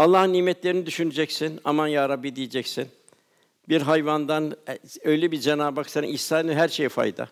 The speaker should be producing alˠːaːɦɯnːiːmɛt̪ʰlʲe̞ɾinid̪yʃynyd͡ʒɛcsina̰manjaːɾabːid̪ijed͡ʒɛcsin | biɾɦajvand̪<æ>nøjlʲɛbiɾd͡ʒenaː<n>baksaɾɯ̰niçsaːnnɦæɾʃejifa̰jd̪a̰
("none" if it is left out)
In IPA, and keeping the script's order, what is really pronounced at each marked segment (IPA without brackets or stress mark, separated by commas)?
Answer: a, none